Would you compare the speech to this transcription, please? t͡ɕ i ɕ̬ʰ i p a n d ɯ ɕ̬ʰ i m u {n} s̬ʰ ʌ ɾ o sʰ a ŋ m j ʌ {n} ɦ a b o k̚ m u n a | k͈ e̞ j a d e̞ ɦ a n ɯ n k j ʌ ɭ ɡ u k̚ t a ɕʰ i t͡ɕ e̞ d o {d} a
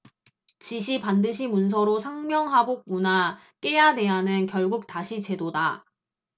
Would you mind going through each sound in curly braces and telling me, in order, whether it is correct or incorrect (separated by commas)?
correct, incorrect, correct